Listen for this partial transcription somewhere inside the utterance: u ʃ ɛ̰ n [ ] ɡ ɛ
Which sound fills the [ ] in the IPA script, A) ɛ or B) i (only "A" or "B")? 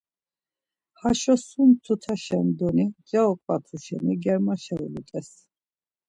B